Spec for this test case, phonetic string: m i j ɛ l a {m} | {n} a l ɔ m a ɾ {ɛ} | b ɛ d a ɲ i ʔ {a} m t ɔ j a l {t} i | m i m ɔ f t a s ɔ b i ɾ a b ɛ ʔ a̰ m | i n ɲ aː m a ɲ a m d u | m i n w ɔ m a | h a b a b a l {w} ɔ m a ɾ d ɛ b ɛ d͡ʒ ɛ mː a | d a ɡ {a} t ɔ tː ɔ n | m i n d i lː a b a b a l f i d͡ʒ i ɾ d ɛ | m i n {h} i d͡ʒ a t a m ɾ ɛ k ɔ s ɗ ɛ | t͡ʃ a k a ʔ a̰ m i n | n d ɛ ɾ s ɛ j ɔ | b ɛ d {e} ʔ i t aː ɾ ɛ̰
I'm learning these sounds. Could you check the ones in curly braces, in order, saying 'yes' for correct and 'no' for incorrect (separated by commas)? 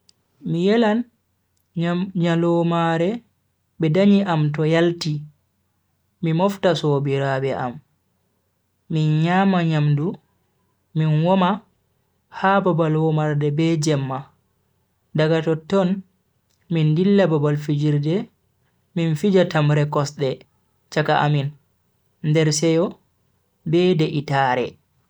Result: no, no, yes, yes, yes, yes, yes, no, no